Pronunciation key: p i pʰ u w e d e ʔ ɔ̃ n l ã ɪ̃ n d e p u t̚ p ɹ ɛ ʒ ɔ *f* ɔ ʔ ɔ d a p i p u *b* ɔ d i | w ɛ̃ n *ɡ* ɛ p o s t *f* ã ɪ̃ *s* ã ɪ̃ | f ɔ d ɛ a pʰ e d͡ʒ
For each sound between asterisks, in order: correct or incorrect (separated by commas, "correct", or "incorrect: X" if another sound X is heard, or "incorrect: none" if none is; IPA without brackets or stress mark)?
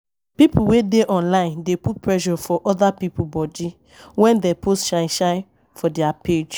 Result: correct, correct, incorrect: d, incorrect: ʃ, incorrect: ʃ